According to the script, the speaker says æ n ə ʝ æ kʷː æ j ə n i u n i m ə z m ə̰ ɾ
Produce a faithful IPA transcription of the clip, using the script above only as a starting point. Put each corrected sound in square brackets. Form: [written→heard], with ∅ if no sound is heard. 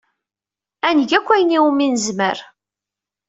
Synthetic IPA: æ n ə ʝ æ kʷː æ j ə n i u [n→m] i [m→n] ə z m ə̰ ɾ